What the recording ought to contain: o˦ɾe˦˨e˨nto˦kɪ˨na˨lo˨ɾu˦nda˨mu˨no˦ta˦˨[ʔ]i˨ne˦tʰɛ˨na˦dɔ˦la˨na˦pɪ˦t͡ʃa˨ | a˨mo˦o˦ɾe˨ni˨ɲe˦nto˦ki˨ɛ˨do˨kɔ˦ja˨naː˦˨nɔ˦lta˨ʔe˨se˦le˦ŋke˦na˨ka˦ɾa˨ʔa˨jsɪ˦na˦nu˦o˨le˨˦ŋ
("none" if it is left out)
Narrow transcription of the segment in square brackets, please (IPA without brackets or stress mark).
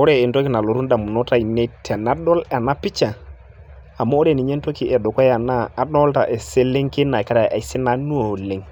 none